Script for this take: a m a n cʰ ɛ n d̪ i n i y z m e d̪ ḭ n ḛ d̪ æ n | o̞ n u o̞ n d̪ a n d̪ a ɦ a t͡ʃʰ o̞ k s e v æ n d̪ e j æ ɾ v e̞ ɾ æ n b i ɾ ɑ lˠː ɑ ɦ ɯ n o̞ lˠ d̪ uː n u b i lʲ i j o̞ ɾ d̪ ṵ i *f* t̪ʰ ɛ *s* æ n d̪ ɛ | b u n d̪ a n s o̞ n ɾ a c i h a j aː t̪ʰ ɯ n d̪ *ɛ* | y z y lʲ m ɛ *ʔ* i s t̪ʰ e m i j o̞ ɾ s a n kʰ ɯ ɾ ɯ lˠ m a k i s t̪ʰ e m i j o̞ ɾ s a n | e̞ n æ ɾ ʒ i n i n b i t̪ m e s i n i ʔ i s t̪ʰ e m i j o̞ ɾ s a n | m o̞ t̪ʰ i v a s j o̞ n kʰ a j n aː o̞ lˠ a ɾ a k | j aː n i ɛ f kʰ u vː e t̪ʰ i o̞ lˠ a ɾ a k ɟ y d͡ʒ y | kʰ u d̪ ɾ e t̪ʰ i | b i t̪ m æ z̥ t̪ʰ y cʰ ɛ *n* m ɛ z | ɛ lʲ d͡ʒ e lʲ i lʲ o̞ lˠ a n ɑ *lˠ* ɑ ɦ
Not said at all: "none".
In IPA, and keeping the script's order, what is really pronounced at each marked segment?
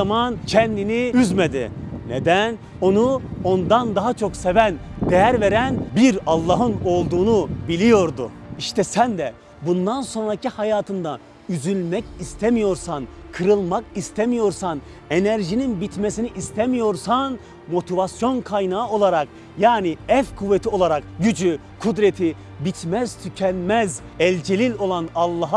ʃ, s, a, c, n, lˠː

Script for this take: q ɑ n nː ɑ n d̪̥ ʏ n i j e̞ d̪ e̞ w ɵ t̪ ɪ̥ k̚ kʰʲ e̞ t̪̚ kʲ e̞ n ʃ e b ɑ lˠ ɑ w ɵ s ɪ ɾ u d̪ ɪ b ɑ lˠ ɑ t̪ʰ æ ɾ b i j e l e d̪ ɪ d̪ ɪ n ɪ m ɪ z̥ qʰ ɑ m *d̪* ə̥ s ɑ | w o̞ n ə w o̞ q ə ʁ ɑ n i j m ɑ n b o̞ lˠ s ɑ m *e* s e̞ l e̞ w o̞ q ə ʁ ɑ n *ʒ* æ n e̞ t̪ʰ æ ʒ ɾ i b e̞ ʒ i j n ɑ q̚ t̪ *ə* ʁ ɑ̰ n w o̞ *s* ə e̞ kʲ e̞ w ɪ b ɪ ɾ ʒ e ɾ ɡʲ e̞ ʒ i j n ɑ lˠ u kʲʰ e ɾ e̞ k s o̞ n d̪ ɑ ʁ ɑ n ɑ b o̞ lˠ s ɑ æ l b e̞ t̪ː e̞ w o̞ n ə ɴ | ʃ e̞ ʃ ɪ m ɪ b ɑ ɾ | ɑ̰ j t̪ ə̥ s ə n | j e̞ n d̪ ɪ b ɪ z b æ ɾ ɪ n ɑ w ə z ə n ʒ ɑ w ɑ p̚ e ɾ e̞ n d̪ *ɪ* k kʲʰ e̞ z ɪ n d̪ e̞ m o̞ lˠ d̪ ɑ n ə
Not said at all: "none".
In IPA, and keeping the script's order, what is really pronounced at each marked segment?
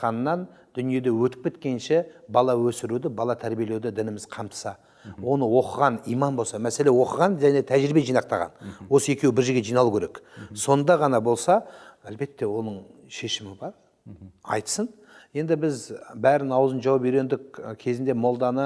t̪, æ, ʒ, ɑ, s, ɪ

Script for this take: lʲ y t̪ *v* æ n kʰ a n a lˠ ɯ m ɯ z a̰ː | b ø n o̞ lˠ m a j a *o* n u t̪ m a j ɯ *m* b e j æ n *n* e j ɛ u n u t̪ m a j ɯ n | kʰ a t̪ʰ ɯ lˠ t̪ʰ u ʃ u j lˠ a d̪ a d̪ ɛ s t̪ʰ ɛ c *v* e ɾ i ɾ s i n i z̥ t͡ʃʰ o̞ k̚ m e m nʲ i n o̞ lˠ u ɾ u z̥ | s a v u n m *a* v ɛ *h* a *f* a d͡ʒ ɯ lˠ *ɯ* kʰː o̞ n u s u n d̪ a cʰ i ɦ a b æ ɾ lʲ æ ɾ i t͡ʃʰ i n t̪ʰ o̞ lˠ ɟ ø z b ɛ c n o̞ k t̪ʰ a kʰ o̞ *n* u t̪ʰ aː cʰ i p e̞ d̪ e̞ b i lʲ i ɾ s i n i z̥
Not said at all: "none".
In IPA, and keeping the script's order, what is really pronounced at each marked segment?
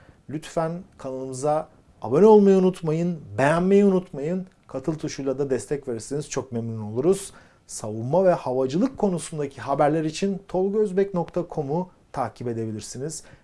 f, u, n, m, v, a, h, v, ɯ, m

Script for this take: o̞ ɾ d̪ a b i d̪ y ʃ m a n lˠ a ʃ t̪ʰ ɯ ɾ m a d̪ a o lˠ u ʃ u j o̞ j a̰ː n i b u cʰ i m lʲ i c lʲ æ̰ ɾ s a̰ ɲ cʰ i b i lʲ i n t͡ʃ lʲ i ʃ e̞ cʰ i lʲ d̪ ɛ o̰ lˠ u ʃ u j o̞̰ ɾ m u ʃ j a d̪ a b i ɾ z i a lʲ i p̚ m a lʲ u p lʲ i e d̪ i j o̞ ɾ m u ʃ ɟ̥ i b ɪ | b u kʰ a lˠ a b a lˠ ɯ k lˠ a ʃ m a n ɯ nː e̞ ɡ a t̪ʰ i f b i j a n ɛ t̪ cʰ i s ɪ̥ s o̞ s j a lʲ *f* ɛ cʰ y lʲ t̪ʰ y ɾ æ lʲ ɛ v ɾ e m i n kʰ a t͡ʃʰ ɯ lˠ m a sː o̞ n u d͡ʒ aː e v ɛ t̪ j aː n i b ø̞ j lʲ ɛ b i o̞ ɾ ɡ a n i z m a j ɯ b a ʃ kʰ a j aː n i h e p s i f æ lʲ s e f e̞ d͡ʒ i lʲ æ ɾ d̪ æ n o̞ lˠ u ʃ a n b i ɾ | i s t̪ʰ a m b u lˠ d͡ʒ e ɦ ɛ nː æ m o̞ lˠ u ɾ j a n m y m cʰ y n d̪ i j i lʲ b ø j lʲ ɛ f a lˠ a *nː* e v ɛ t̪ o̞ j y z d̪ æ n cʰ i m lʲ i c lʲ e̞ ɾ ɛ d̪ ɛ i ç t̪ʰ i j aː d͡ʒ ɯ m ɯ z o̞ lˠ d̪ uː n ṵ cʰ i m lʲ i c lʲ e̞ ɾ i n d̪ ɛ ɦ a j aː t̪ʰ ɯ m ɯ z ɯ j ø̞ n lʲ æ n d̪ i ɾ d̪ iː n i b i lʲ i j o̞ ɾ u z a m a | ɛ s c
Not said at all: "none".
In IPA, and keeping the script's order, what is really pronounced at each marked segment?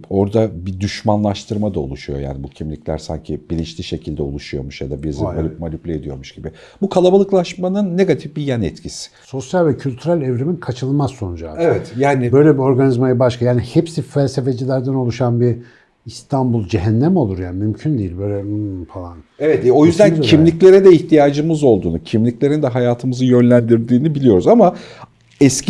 v, n

